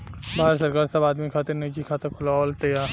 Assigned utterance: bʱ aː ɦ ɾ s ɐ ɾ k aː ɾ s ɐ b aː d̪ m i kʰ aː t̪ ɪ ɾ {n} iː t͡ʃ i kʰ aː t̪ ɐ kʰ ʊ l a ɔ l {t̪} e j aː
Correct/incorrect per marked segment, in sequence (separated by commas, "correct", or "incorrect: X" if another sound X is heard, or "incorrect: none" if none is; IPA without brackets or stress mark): correct, correct